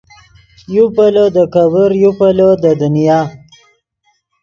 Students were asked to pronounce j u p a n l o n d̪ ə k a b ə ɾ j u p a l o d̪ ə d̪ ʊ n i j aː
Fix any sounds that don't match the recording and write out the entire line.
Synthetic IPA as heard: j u p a l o d̪ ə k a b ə ɾ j u p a l o d̪ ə d̪ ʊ n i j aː

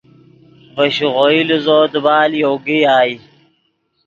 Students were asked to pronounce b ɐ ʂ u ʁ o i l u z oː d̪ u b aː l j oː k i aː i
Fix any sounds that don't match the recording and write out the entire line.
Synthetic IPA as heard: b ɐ ɕ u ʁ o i l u z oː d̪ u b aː l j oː ɡ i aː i

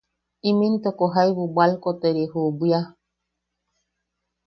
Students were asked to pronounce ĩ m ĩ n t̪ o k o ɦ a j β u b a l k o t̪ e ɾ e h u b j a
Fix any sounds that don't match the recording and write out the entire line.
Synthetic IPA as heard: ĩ m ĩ n t̪ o k o ɦ a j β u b a l k o t̪ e ɾ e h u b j a

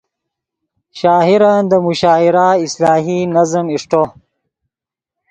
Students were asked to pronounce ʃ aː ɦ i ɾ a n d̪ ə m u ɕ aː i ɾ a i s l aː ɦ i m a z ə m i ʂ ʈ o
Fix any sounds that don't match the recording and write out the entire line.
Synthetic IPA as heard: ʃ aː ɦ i ɾ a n d̪ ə m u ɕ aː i ɾ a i s l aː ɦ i n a z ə m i ʂ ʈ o

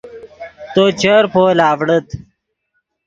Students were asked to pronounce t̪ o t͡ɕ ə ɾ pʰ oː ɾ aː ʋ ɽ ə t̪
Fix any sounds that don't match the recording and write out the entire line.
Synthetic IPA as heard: t̪ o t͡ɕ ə ɾ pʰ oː l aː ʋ ɽ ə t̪

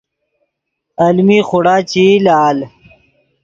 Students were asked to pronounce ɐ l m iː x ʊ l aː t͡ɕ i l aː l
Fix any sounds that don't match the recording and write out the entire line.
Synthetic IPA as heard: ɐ l m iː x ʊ ɽ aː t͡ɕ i l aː l

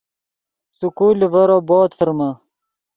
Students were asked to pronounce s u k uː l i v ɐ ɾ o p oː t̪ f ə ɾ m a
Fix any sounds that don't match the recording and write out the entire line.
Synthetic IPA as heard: s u k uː l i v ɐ ɾ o b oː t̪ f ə ɾ m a

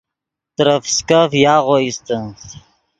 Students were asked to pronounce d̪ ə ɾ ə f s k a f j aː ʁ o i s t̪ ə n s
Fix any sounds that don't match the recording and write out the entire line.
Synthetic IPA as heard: t̪ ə ɾ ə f s k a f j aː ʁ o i s t̪ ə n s

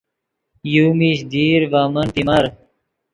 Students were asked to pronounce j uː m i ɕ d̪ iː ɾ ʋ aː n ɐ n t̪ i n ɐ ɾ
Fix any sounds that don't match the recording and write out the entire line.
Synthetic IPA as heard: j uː m i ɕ d̪ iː ɾ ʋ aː m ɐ n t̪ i m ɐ ɾ

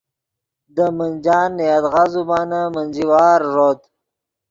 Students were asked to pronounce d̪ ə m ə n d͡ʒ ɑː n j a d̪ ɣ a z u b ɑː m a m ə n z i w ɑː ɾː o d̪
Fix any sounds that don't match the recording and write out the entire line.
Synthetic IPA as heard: d̪ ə m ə n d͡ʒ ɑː n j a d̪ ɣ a z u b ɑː n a m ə n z i w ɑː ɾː o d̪

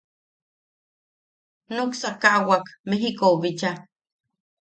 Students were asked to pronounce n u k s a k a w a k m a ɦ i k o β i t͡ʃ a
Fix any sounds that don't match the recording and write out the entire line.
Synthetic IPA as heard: n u k s a k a w a k m e ɦ i k o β i t͡ʃ a

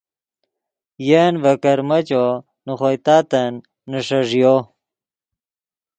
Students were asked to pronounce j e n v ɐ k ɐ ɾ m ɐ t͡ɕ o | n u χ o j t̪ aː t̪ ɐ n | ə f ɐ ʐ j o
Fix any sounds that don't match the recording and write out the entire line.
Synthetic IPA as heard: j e n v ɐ k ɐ ɾ m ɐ t͡ɕ o | n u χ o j t̪ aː t̪ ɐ nː | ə ʂ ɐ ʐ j o

